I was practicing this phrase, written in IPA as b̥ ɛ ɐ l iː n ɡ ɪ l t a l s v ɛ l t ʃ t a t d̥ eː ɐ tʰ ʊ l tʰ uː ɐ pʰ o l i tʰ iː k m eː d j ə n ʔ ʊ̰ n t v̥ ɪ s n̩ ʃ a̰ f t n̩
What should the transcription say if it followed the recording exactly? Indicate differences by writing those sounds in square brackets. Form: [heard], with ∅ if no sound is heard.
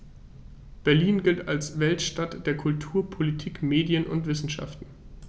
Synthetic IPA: b̥ ɛ ɐ l iː n ɡ ɪ l t a l s v ɛ l t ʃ t a t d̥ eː ɐ [kʰ] ʊ l tʰ uː ɐ pʰ o l i tʰ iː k m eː d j ə n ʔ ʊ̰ n t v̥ ɪ s n̩ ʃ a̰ f t n̩